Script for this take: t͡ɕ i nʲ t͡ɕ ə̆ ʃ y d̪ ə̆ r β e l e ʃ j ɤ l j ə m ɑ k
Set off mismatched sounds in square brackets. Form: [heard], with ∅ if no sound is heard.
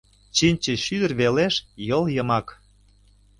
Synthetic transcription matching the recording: t͡ɕ i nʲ t͡ɕ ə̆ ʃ y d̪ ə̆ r β e l e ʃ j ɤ l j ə m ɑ k